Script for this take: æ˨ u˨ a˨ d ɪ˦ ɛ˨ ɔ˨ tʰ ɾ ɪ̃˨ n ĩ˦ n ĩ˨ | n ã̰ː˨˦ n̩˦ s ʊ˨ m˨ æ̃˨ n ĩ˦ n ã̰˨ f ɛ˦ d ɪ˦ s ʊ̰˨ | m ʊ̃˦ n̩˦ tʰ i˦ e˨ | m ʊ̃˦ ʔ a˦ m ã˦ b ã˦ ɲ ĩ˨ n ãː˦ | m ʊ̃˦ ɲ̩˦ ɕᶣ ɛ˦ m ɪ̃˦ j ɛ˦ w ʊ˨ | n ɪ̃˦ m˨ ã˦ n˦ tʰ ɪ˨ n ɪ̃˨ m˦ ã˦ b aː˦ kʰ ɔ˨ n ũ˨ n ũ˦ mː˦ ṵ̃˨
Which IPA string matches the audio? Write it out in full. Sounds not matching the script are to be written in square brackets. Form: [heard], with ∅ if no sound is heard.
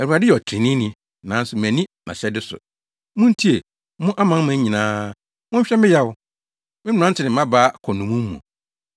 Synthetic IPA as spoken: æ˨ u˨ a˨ d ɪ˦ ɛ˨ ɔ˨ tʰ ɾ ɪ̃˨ n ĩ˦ n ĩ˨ | n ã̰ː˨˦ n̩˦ s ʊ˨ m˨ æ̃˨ n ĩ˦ n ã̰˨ [ɕ] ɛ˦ d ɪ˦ s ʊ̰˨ | m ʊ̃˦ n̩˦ tʰ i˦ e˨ | m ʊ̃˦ ʔ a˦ m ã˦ [m] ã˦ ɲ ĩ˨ n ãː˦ | m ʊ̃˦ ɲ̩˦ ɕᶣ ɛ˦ m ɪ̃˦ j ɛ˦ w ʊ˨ | [m] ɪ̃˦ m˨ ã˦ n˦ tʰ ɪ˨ n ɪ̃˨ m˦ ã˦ b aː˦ kʰ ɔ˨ n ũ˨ [m] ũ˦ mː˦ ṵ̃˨

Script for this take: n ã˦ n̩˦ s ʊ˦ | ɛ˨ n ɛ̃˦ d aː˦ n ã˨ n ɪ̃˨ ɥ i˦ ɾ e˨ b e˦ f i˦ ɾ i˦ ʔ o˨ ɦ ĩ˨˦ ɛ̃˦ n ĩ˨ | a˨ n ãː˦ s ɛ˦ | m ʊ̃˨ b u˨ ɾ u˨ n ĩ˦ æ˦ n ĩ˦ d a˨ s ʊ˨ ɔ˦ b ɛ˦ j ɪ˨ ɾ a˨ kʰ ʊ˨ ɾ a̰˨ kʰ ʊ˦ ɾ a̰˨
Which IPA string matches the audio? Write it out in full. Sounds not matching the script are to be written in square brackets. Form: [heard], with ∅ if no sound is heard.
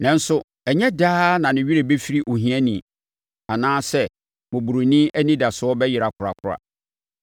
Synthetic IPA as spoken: n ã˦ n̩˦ s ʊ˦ | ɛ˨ [ɲ] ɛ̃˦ d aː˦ n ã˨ n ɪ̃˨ ɥ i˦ ɾ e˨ b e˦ f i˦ ɾ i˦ ʔ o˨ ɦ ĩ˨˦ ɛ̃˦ n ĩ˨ | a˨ n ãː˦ s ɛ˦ | m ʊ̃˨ b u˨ ɾ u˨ n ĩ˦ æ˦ n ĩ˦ d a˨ s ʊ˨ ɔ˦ b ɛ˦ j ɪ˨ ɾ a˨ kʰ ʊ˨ ɾ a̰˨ kʰ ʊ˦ ɾ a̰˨

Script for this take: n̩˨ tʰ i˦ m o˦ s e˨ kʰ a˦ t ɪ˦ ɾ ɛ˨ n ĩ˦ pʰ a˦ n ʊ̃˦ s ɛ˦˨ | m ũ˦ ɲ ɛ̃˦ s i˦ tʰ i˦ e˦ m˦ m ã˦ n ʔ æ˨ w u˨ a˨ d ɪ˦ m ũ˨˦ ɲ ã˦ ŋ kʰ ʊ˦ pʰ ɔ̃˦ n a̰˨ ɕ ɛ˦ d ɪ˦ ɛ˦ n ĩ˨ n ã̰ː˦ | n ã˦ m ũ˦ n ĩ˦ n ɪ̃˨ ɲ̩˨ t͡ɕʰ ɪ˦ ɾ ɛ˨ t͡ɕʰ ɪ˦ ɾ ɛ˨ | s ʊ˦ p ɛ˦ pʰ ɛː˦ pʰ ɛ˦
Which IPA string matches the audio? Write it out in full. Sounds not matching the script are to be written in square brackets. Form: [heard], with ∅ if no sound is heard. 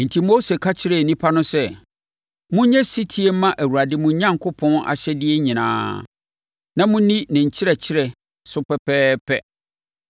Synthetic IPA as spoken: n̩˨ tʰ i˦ m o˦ s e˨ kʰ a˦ [t͡ɕʰ] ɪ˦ ɾ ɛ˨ n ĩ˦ pʰ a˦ n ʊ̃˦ s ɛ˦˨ | m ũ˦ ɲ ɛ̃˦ s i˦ tʰ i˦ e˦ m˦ m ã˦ [∅] ʔ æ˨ w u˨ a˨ d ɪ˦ m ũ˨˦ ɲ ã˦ ŋ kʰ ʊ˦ pʰ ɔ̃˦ n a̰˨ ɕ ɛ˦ d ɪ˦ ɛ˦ [ɲ] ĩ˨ n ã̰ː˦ | n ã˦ m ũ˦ n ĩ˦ n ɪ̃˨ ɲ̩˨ t͡ɕʰ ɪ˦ ɾ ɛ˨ t͡ɕʰ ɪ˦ ɾ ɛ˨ | s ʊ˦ p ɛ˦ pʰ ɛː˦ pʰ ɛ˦

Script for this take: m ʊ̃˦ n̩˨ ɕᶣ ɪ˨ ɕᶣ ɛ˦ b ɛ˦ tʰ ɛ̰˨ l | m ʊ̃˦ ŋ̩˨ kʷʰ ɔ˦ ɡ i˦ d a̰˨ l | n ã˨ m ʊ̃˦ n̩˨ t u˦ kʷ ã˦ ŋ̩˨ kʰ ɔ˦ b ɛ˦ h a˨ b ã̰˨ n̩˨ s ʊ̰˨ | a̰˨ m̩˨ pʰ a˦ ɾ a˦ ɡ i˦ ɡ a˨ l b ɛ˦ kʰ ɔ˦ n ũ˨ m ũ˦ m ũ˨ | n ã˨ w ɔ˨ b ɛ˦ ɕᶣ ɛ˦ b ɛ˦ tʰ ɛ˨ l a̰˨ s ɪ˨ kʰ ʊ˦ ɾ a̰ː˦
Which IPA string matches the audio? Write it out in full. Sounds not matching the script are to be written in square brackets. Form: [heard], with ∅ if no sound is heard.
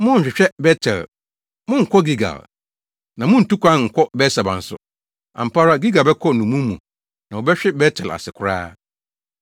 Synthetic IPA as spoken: m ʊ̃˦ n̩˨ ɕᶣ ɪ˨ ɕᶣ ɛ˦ b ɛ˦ tʰ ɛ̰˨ l | m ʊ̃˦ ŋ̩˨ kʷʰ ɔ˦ ɡ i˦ [ɡ] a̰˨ l | n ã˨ m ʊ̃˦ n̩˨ t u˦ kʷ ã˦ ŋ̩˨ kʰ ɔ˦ b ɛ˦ [s] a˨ b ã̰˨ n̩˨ s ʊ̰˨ | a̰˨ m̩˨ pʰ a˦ ɾ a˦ ɡ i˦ ɡ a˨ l b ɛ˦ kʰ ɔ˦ n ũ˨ m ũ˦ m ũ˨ | n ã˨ w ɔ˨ b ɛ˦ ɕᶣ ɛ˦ b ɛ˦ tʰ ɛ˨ l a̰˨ s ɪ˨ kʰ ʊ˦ ɾ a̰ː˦

